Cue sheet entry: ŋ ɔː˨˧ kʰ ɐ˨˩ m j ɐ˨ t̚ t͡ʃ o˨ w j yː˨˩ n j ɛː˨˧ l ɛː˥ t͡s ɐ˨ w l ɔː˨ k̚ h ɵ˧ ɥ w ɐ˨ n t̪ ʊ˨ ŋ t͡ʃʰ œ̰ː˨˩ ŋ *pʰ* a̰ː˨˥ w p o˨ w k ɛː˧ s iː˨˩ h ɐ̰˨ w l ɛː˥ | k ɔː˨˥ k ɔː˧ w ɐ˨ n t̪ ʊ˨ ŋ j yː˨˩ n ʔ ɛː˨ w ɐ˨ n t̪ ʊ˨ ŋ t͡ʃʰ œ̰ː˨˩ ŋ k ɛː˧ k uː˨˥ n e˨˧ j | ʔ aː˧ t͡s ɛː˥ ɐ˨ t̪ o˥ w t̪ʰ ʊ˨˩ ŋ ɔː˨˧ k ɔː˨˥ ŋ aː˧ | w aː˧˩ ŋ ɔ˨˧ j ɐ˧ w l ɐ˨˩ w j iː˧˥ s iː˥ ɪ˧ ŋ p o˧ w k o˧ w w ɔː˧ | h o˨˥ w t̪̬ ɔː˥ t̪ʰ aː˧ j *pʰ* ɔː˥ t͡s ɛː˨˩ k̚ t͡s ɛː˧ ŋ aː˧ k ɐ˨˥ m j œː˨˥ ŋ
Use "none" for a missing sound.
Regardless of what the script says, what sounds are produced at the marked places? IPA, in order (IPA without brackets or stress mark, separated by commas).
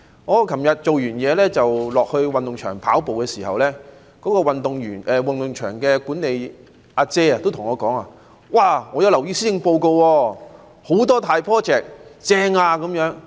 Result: pʰ, pʰ